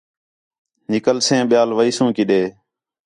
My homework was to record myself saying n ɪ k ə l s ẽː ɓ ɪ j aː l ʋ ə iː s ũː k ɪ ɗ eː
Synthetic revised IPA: n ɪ k ə l s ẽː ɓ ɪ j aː l ʋ ə iː s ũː k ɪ ɗ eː